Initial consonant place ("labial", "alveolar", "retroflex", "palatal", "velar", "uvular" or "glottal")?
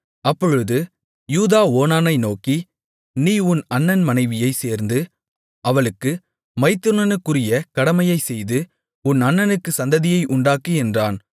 labial